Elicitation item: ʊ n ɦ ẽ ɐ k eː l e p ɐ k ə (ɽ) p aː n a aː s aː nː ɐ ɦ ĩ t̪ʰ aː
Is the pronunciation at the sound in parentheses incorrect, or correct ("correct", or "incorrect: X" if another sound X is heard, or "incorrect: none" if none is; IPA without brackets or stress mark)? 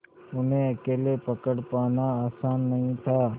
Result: correct